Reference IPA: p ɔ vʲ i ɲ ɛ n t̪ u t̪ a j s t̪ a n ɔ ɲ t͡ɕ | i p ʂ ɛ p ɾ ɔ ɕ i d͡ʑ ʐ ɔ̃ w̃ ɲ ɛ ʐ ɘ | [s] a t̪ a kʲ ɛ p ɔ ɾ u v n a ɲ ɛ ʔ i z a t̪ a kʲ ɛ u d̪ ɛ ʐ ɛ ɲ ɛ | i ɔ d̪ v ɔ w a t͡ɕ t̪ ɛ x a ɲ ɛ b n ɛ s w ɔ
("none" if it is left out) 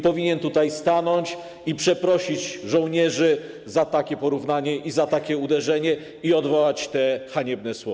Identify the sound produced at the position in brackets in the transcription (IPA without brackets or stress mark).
z